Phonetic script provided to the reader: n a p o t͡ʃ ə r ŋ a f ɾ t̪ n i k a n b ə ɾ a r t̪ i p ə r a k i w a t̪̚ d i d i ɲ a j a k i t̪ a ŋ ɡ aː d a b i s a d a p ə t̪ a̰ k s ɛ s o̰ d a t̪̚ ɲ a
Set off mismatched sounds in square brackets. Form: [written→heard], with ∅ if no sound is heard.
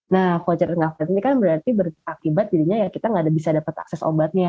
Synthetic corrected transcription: n a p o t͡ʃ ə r ŋ a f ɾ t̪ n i k a n b ə ɾ a r t̪ i [p→b] ə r a k i [w→b] a t̪̚ d i d i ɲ a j a k i t̪ a ŋ ɡ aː d a b i s a d a p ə t̪ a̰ k s ɛ s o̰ [d→b] a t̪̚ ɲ a